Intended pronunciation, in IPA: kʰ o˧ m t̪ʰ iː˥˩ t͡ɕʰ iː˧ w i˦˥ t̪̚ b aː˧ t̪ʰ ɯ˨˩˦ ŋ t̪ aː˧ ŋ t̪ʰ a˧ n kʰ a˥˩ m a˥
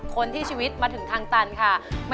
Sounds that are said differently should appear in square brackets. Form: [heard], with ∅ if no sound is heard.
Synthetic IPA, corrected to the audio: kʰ o˧ [n] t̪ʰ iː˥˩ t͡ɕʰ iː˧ w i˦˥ t̪̚ [m] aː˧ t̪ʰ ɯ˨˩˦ ŋ [t̪ʰ] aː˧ ŋ [t̪] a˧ n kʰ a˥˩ m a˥